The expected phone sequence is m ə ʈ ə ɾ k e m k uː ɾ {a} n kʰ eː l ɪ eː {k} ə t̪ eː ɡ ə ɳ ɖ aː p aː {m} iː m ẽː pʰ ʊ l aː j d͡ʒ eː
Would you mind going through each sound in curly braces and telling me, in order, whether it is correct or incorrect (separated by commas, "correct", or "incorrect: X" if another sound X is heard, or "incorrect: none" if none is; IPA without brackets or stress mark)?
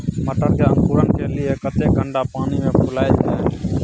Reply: incorrect: ə, correct, incorrect: n